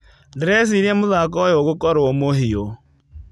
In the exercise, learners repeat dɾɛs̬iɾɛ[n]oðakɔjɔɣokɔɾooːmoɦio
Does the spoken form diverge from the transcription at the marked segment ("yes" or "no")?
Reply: yes